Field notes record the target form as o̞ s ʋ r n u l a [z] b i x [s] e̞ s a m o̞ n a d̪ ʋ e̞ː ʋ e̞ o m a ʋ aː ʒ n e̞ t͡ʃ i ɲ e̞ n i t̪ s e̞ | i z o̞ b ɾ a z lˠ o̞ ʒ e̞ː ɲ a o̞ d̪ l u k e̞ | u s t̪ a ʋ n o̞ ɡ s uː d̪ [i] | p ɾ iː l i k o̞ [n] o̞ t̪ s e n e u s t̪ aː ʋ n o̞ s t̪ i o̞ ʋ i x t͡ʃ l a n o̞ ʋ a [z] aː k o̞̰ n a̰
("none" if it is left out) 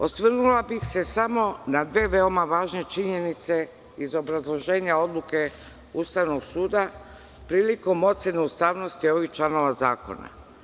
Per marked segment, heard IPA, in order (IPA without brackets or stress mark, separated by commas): none, s, a, m, z